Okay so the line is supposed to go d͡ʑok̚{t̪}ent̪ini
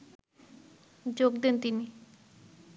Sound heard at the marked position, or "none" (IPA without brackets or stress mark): d̪